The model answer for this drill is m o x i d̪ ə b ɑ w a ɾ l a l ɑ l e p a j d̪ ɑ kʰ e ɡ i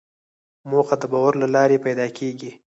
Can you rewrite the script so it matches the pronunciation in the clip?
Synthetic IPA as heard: m o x a d̪ ə b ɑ w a ɾ l a l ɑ ɾ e p a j d̪ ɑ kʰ e ɡ i